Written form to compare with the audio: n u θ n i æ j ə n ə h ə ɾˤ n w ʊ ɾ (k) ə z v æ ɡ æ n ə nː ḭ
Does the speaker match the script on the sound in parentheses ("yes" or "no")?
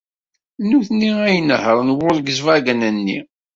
no